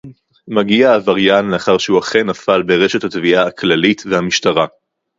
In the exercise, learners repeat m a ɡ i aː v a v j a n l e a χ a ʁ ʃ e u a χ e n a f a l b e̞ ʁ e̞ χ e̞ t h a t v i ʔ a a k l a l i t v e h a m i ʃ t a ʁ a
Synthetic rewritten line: m a ɡ i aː v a ʁ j a n l e a χ a ʁ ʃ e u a χ e n a f a l b e̞ ʁ e̞ ʃ e̞ t h a t v i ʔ a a k l a l i t v e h a m i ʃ t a ʁ a